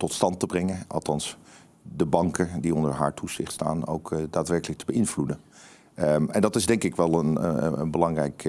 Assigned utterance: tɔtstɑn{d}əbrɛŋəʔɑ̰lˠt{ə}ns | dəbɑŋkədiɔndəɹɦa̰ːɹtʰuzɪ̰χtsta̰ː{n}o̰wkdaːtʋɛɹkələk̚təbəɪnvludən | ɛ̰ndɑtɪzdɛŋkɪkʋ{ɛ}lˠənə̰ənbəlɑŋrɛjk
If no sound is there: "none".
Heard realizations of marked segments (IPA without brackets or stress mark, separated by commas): t, ɑ, n, ɛ